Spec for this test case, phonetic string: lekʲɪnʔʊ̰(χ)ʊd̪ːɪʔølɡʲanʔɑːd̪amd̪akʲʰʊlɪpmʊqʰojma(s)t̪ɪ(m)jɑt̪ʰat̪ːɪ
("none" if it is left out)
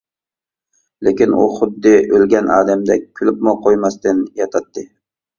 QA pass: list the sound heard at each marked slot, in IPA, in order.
χ, s, n

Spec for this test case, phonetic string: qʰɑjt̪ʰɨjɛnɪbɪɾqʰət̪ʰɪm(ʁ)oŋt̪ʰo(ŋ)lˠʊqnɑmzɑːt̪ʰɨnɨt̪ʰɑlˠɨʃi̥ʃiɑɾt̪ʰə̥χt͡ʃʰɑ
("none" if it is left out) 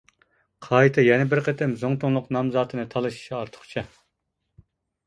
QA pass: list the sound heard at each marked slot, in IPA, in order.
z, ŋ

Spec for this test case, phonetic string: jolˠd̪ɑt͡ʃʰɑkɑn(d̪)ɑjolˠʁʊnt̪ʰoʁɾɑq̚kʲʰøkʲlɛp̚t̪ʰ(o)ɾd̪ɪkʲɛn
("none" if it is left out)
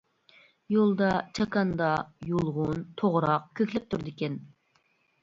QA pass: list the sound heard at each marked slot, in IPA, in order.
d̪, u

